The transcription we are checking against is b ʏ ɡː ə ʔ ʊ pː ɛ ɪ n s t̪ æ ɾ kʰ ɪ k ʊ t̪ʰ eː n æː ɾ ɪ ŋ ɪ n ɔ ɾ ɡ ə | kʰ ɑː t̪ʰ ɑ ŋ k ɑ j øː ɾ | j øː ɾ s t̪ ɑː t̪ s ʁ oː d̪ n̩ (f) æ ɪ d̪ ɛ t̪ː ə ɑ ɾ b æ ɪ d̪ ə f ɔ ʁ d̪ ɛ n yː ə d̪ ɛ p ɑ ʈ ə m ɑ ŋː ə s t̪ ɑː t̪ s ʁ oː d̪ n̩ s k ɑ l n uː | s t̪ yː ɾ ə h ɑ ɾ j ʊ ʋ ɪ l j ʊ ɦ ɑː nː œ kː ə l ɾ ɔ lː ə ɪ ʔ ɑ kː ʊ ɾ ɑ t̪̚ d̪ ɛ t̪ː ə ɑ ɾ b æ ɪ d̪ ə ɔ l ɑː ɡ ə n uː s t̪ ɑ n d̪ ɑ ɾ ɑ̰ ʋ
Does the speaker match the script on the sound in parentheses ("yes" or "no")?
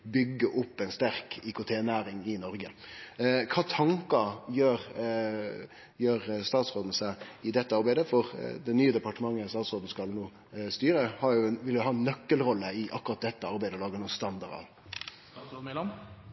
no